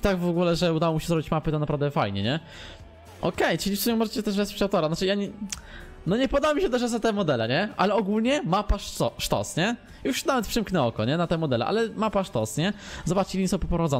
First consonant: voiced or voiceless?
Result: voiceless